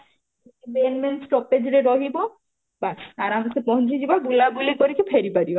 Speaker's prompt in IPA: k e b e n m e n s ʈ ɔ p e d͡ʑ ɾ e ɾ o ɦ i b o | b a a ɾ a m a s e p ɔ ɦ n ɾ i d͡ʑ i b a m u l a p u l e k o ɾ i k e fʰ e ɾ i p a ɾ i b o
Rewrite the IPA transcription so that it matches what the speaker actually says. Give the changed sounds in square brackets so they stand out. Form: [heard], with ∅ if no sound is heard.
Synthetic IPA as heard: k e b e n m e n s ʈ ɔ p e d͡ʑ ɾ e ɾ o ɦ i b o | b a a ɾ a m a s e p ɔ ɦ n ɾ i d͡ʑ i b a [b] u l a [b] u l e k o ɾ i k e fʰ e ɾ i p a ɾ i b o